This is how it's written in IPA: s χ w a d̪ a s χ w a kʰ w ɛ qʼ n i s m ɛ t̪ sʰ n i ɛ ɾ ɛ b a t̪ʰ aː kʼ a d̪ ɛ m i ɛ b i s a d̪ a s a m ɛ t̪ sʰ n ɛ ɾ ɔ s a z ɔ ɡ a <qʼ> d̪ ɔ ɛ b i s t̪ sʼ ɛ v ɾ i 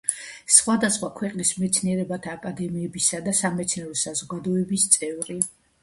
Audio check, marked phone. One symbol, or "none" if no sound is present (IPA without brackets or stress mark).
none